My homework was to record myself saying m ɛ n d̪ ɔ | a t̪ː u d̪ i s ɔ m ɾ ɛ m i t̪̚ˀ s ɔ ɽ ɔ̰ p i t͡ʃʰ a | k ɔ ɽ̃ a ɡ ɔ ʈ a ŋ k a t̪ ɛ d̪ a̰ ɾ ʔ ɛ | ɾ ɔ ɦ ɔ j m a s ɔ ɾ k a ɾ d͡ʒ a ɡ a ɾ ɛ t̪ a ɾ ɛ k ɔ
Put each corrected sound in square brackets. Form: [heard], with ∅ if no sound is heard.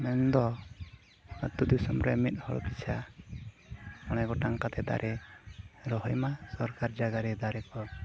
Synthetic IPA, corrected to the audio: m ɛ n d̪ ɔ | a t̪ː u d̪ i s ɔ m ɾ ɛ m i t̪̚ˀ [h] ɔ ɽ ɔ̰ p i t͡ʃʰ a | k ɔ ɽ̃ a ɡ ɔ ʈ a ŋ k a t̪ ɛ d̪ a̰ ɾ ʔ ɛ | ɾ ɔ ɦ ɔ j m a s ɔ ɾ k a ɾ d͡ʒ a ɡ a ɾ ɛ [d̪] a ɾ ɛ k ɔ